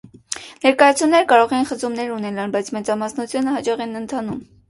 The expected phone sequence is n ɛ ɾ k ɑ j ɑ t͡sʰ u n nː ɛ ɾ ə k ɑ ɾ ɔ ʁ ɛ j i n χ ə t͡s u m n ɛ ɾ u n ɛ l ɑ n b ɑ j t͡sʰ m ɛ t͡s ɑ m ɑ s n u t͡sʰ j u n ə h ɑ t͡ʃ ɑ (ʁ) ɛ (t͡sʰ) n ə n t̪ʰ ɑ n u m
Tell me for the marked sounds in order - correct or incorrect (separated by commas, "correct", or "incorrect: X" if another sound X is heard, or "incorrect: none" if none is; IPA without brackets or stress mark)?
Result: correct, incorrect: none